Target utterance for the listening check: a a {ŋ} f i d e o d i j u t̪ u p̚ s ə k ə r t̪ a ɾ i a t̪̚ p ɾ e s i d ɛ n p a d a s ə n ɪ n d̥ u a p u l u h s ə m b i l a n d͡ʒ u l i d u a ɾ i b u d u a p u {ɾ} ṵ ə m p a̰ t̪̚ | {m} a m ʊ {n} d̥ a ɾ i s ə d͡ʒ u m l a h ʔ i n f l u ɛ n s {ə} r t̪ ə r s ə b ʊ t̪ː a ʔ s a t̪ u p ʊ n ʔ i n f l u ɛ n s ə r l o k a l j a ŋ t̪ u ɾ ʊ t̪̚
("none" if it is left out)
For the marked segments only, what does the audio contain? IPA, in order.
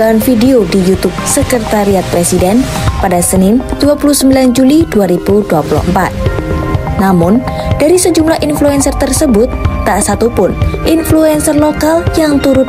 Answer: n, l, n, n, ə

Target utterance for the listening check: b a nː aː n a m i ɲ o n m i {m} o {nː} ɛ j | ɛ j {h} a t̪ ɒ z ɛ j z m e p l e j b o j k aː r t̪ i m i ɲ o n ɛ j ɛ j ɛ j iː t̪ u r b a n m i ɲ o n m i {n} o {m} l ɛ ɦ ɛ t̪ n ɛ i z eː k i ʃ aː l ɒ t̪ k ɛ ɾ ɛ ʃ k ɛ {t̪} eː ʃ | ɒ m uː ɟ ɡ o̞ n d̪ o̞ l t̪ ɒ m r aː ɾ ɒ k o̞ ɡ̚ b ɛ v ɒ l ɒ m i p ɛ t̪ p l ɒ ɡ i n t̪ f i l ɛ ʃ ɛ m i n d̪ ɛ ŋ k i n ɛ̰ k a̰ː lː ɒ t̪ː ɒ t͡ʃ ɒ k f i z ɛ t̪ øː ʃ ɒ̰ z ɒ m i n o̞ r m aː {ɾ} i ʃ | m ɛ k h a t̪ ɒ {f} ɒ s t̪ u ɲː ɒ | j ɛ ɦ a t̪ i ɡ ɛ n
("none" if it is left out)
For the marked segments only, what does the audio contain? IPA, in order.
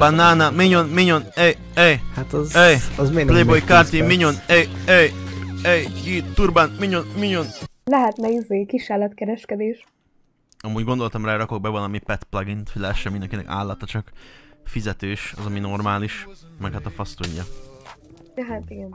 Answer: ɲ, n, h, ɲ, n, d̪, l, f

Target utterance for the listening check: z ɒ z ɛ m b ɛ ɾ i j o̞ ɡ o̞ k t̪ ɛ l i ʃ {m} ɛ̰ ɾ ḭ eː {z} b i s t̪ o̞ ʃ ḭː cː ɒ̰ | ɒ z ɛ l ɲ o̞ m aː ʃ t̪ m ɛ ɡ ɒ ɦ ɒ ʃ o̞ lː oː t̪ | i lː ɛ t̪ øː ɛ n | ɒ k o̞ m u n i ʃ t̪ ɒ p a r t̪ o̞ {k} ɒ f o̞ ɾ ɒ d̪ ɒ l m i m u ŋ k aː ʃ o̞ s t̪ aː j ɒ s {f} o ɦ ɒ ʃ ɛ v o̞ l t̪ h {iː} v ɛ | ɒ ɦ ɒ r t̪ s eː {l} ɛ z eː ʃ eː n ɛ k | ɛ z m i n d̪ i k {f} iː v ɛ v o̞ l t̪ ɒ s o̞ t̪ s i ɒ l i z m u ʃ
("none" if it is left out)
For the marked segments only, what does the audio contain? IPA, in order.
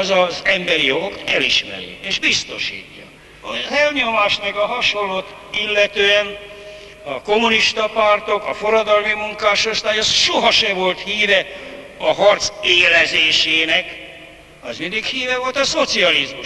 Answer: m, ʒ, k, ʃ, iː, l, h

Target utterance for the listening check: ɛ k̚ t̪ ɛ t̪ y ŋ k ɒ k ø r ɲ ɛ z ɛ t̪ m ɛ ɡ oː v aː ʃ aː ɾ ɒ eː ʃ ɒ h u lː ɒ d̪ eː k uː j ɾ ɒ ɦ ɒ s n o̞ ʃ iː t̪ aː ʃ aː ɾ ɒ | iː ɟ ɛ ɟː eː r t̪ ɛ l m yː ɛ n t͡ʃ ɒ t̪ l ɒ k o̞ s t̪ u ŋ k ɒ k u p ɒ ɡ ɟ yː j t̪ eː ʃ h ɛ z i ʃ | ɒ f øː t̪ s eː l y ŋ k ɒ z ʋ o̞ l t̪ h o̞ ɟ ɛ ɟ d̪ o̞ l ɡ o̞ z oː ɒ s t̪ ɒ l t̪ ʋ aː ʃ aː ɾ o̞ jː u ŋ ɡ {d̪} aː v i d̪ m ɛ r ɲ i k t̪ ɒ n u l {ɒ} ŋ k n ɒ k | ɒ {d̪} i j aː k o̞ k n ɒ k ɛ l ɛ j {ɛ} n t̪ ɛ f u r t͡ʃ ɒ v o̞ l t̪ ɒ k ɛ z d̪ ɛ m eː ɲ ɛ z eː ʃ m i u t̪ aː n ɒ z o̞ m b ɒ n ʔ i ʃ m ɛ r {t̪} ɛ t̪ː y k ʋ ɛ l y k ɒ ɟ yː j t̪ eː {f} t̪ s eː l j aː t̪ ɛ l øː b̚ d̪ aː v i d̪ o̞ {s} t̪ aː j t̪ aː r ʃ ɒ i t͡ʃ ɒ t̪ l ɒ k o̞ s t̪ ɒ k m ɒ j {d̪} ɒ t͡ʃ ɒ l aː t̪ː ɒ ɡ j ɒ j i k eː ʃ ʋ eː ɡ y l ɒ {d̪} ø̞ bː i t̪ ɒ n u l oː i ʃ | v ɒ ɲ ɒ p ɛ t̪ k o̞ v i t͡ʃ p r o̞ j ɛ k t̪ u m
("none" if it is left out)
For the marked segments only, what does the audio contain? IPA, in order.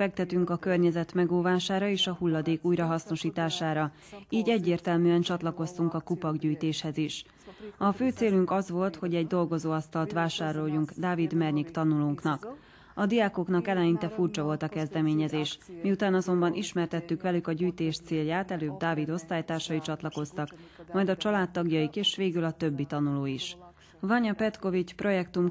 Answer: d̪, u, d̪, i, t̪, ʃ, s, d̪, t̪

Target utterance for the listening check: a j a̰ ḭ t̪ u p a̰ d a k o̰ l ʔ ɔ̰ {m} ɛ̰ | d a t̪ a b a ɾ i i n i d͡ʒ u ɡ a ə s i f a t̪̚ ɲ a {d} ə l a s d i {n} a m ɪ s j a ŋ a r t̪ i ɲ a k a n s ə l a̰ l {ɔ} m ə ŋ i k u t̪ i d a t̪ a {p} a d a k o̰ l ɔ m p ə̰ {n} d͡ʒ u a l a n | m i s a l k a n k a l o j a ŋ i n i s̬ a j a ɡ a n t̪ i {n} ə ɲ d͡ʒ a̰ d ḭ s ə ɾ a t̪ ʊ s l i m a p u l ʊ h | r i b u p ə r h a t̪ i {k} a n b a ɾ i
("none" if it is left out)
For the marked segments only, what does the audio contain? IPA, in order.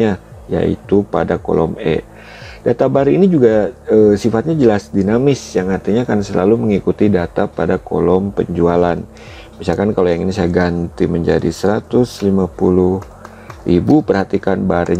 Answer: m, d͡ʒ, n, u, p, ɲ, m, k

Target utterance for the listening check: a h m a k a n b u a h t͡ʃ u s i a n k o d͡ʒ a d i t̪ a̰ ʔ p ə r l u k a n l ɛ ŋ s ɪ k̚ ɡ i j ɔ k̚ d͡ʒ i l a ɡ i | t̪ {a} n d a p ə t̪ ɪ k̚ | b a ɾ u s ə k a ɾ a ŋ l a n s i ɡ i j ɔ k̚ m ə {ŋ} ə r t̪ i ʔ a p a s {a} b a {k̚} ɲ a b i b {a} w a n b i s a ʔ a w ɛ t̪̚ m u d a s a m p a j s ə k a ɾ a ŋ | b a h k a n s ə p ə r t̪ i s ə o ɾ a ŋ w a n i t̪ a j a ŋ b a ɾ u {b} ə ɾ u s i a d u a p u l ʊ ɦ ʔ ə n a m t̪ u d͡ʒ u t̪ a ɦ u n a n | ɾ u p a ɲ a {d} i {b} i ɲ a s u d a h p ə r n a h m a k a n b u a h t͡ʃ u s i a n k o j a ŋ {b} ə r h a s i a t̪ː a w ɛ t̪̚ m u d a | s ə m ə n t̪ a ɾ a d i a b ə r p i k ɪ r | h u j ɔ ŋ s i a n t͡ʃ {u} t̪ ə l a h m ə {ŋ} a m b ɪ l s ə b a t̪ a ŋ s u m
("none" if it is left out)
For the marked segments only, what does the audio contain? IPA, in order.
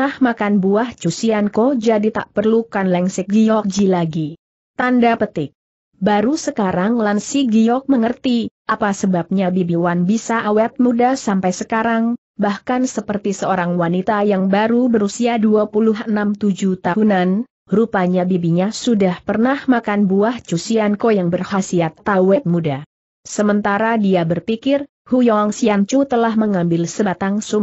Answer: a, ŋ, ə, p̚, i, b, b, b, b, u, ŋ

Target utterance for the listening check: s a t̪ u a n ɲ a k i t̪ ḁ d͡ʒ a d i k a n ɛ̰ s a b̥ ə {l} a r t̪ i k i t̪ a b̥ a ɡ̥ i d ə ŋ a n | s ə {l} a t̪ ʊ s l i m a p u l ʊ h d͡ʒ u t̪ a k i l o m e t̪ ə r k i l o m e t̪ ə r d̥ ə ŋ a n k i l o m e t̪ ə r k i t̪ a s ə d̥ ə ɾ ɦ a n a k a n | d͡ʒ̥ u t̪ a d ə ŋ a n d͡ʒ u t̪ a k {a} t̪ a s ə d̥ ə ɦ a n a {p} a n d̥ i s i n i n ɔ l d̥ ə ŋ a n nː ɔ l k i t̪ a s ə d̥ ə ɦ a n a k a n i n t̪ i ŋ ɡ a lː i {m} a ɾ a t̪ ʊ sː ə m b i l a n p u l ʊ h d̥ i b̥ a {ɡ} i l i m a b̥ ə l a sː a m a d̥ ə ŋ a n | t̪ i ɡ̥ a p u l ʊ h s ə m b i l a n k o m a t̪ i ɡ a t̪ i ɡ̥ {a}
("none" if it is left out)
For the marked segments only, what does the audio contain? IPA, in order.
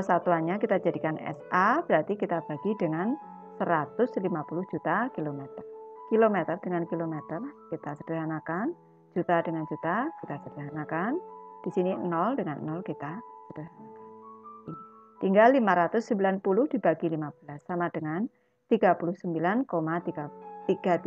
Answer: ɾ, ɾ, i, k, m, ɡ, a

